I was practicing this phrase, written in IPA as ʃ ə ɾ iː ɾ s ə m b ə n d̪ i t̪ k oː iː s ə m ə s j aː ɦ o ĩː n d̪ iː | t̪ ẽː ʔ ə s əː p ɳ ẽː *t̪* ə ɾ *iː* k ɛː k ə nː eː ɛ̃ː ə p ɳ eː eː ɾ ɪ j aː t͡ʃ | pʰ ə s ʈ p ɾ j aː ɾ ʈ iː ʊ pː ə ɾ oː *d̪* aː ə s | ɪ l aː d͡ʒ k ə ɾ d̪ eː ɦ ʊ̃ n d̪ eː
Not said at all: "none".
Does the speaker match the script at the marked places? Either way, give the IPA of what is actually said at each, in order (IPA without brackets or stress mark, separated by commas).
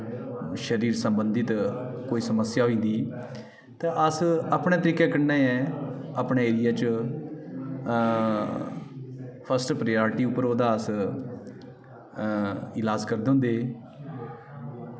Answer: t̪, iː, d̪